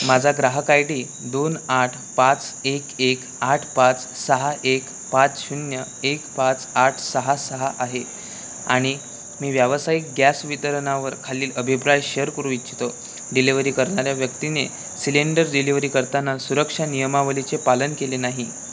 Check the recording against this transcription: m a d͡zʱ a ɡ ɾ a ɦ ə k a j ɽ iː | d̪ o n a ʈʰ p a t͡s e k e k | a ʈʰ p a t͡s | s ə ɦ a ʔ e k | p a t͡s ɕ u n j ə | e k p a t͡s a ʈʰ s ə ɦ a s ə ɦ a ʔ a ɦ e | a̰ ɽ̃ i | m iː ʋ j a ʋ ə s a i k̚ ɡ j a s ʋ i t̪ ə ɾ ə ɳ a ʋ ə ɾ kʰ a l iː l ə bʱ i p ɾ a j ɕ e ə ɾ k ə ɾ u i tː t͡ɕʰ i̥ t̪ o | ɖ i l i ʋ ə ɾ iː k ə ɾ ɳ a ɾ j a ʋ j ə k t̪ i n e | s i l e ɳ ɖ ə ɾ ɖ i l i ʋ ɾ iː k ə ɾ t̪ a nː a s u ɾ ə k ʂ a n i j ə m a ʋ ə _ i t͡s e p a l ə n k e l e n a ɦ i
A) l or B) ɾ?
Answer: A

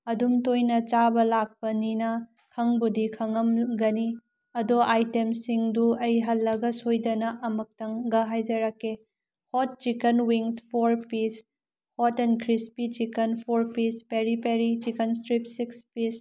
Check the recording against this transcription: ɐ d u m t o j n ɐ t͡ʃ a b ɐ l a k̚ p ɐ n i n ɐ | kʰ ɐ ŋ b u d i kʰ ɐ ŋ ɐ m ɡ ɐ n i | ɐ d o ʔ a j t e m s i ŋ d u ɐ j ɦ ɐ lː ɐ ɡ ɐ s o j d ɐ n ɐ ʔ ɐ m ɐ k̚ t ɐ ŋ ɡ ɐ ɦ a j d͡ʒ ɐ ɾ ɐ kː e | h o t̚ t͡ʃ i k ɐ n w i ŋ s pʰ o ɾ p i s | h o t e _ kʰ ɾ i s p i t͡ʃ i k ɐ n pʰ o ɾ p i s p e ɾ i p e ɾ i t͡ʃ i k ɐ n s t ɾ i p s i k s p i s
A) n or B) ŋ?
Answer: A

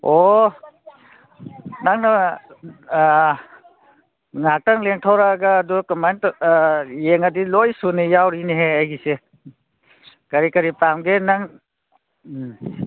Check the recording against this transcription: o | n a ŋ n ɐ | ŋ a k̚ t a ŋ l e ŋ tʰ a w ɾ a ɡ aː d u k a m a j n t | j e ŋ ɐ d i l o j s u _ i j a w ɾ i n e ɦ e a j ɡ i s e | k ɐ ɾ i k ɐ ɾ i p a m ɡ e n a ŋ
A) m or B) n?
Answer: B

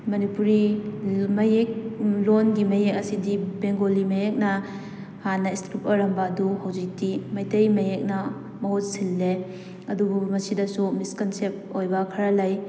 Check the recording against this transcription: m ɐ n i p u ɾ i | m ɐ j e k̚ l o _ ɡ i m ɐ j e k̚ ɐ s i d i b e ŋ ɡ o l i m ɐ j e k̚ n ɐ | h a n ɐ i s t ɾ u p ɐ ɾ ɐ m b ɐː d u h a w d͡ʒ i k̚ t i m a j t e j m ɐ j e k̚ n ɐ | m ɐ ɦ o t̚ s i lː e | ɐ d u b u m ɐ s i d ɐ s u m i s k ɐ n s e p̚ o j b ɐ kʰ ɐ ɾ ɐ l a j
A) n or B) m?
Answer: A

